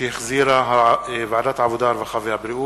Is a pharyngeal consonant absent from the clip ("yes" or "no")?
no